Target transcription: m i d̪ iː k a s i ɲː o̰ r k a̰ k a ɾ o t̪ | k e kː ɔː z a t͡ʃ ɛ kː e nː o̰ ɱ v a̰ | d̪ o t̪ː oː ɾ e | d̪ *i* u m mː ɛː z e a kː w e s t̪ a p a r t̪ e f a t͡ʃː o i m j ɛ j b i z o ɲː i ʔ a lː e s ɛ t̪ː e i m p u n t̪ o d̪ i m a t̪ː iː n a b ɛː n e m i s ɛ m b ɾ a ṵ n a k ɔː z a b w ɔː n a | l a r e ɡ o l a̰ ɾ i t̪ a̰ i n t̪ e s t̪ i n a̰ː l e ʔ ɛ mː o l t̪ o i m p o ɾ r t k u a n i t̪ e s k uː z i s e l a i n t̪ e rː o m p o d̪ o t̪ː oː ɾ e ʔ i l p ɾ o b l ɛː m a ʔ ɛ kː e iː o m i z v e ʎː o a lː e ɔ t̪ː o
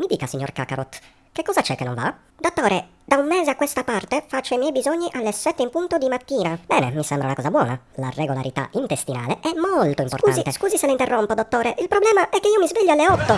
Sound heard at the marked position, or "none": a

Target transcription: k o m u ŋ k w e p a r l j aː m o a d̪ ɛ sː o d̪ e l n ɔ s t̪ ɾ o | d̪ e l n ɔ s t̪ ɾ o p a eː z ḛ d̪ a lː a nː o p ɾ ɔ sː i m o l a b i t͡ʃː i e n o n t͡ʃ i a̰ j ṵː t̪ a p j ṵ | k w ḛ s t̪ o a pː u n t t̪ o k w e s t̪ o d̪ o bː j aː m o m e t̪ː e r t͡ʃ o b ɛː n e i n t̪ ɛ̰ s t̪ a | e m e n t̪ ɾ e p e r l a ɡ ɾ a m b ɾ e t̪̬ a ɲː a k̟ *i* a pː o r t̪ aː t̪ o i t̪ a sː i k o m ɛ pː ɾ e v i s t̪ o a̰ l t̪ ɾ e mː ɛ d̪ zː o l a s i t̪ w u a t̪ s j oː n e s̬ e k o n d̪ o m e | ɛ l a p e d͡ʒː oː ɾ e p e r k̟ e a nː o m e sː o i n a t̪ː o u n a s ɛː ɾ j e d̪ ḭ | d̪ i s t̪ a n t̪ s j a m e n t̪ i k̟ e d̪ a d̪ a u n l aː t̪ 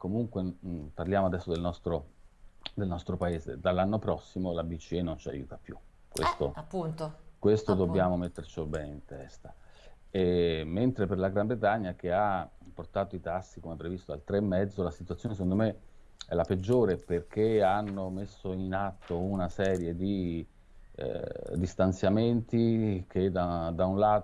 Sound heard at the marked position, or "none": e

